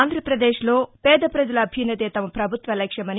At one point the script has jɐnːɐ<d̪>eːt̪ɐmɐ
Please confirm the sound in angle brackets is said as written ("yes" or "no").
no